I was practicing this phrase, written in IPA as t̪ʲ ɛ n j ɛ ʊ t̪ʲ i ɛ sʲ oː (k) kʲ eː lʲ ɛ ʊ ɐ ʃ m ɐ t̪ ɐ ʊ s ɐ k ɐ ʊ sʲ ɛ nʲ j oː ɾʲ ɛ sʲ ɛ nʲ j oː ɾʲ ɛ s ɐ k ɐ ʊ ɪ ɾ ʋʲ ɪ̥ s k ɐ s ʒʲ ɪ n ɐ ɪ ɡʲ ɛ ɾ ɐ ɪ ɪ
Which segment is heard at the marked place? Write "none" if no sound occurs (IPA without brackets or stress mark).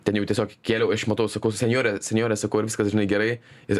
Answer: k